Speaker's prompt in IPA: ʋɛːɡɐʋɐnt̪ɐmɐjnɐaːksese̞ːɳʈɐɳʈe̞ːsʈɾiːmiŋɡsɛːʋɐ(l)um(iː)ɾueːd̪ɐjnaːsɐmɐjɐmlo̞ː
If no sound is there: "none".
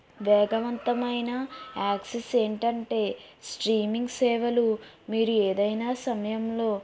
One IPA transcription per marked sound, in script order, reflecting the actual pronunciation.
l, iː

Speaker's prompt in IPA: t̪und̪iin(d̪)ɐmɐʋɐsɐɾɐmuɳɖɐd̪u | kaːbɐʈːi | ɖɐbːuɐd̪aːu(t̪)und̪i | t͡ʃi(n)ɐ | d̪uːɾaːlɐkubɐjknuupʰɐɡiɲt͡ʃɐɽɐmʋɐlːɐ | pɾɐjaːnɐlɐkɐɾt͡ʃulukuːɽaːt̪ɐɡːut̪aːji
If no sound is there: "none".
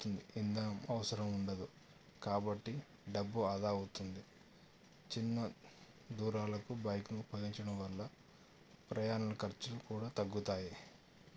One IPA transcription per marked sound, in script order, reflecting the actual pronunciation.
d̪, t̪, nː

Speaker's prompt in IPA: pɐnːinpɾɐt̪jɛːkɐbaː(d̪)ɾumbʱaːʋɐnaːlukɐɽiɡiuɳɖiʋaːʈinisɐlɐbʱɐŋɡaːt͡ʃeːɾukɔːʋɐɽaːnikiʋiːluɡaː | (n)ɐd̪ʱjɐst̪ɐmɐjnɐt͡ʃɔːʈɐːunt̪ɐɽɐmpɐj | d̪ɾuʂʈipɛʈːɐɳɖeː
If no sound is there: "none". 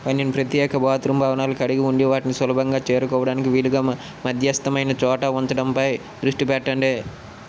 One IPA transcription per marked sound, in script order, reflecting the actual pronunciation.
t̪, m

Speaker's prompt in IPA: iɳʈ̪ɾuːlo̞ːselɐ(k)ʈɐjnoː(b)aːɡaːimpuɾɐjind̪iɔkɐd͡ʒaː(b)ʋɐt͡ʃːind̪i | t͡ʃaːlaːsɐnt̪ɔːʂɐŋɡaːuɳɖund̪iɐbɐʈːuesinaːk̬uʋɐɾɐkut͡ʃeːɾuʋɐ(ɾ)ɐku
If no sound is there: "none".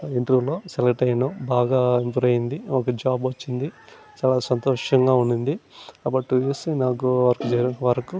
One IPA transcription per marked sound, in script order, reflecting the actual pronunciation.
k, b, b, ɾ

